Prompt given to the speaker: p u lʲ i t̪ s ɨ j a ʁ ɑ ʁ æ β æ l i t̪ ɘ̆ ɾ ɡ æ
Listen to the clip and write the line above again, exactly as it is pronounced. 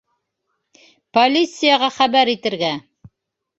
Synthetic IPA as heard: p o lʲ i t̪ s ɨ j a ʁ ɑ χ æ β æ ɾ i t̪ ɘ̆ ɾ ɡ æ